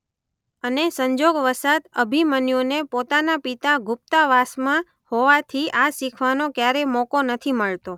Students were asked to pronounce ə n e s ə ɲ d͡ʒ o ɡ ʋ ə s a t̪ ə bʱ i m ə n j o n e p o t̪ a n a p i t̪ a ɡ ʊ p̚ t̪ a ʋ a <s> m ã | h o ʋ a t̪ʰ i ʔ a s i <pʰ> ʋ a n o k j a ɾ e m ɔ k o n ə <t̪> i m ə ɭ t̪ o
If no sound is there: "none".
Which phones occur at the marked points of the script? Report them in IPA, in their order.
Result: s, kʰ, t̪ʰ

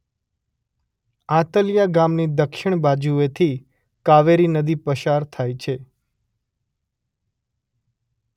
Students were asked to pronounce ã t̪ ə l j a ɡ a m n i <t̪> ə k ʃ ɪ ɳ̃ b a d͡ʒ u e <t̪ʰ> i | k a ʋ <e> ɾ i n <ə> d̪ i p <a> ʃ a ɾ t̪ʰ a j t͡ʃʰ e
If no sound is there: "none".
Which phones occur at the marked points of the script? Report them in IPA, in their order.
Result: d̪, t̪ʰ, e, ə, ə

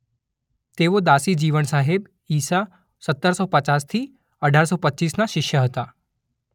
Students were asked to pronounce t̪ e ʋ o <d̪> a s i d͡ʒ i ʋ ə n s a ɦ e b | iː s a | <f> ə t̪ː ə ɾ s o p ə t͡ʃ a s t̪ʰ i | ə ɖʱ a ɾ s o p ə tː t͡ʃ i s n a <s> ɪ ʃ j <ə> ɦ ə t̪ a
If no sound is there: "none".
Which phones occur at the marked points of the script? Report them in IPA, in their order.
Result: d̪, s, ʃ, ə

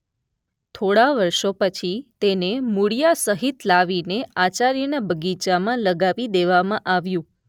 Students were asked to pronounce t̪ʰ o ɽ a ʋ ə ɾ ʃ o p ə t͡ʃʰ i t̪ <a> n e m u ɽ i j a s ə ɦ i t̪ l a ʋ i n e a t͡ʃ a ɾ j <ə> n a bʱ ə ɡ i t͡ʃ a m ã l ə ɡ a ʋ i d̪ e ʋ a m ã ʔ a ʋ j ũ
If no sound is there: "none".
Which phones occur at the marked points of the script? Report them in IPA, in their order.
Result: e, ə

